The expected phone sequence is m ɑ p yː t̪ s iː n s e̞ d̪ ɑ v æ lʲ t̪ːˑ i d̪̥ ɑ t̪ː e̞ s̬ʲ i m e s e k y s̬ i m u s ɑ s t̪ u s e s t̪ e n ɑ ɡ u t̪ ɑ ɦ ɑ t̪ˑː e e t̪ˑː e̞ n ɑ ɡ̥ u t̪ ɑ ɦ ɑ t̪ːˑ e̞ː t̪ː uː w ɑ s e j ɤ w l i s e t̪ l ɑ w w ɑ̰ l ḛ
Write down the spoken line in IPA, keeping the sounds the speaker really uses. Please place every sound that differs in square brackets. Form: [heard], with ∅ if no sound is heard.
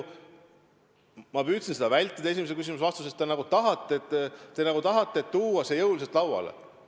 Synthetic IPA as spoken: m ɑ p yː t̪ s [i] n s e̞ d̪ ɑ v æ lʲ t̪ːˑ i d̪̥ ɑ [∅] e̞ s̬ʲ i m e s e k y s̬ i m u s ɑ s t̪ u s e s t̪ e n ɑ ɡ u t̪ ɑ ɦ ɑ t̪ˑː e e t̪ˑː e̞ n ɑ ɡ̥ u t̪ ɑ ɦ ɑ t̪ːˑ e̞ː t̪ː uː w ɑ s e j ɤ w l i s e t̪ l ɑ w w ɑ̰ l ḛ